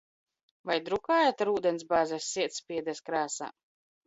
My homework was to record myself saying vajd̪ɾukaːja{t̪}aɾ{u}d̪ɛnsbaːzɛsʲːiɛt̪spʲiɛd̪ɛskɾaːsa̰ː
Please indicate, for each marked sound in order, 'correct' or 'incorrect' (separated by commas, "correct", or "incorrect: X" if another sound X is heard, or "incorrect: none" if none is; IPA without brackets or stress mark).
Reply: correct, incorrect: uː